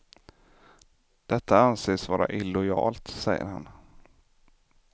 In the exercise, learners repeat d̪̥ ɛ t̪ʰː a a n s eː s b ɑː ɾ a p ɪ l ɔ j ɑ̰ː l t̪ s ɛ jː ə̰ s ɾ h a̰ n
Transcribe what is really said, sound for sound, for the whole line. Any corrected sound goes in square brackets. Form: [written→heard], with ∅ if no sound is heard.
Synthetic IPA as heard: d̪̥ ɛ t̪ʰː a a n s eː s [b→v] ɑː ɾ a [p→ʔ] ɪ l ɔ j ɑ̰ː l t̪ s ɛ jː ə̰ [s→∅] ɾ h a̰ n